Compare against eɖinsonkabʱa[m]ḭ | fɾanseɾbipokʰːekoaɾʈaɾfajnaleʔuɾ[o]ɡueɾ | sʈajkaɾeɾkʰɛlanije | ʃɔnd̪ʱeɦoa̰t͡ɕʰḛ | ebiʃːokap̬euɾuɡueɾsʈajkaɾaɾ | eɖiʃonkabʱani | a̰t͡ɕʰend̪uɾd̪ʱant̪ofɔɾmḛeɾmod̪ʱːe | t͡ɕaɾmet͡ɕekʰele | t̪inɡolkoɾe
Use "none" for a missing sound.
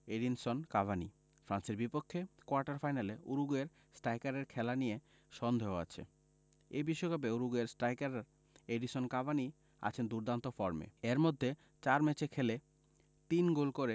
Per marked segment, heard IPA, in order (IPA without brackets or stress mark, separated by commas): n, u